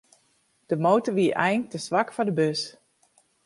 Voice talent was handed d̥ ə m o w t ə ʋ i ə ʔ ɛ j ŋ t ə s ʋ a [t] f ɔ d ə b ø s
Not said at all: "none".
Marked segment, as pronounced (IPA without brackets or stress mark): k